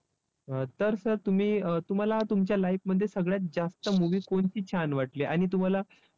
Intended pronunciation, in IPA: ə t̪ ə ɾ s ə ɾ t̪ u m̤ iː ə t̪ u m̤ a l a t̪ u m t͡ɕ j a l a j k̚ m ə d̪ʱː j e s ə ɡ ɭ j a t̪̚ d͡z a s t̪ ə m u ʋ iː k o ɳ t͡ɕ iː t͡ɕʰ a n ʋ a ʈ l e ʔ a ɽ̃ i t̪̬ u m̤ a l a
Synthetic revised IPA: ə t̪ ə ɾ s ə ɾ t̪ u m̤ iː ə t̪ u m̤ a l a t̪ u m t͡ɕ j a l a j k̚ m ə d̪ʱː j e s ə ɡ ɭ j a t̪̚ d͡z a s t̪ ə m u ʋ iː k o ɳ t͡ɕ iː t͡ɕʰ a n ʋ a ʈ l e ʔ a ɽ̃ i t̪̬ u m̤ a l a